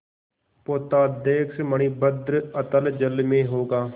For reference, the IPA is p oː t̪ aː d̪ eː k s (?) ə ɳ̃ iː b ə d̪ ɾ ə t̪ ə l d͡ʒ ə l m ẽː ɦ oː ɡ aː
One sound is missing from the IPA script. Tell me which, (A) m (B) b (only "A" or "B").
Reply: A